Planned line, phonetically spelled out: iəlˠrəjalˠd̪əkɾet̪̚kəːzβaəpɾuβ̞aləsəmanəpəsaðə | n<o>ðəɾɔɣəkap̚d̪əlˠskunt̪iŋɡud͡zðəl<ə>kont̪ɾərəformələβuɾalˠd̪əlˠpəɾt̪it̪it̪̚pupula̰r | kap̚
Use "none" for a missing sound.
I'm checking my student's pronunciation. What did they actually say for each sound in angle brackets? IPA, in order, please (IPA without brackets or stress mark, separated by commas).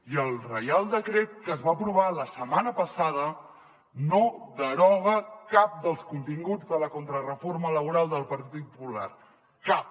o, ə